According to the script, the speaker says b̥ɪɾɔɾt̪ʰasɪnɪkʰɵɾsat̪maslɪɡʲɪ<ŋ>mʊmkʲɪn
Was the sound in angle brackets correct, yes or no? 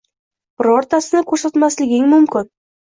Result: yes